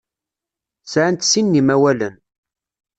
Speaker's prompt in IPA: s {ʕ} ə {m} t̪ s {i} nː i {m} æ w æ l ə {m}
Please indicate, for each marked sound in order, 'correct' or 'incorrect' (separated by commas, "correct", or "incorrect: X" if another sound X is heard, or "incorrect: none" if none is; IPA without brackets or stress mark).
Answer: correct, incorrect: n, correct, correct, incorrect: n